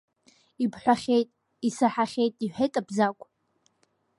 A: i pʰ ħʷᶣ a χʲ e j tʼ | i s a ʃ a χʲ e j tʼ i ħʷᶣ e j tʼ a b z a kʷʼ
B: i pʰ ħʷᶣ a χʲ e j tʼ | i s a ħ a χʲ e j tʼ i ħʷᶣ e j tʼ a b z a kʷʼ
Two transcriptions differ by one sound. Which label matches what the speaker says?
B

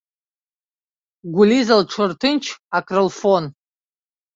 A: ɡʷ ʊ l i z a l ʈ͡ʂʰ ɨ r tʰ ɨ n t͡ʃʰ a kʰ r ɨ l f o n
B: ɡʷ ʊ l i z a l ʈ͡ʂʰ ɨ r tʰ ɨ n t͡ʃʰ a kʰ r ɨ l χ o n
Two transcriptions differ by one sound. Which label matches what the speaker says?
A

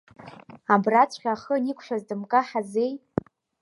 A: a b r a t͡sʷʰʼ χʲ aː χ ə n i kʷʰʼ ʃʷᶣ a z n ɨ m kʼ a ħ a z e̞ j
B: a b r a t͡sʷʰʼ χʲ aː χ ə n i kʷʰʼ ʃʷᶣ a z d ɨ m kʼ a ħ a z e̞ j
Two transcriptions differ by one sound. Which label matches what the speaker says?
B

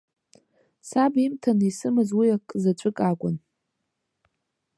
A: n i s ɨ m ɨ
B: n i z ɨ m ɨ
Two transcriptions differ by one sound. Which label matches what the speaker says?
A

